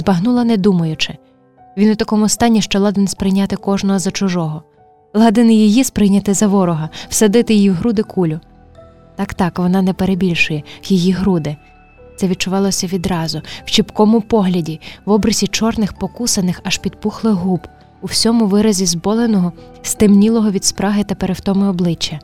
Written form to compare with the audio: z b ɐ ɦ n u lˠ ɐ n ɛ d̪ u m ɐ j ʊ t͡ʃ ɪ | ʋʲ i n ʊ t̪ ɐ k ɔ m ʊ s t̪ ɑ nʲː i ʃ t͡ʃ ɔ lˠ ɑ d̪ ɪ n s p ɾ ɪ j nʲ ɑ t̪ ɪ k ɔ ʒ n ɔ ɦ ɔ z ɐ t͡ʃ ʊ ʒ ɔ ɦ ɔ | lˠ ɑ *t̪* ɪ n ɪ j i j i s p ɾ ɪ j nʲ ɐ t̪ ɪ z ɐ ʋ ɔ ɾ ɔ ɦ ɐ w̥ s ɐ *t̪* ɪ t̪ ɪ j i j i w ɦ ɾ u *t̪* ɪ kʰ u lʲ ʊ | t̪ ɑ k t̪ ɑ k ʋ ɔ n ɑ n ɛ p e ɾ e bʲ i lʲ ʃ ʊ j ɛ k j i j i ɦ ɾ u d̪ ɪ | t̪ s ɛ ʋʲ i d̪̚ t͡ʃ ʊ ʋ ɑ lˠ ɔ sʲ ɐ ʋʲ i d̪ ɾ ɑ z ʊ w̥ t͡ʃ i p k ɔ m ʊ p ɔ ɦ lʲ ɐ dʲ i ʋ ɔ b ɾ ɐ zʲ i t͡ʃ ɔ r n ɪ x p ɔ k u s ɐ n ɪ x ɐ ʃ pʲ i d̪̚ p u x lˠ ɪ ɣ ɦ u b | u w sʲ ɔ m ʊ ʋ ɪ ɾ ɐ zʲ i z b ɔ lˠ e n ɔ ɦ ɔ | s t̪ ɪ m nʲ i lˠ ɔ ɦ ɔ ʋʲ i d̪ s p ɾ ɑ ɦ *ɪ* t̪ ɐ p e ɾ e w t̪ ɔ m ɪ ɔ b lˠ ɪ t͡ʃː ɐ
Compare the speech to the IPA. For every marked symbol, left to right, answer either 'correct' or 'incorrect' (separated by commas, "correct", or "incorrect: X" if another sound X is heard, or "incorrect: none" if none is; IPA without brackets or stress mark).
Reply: incorrect: d̪, incorrect: d̪, incorrect: d̪, correct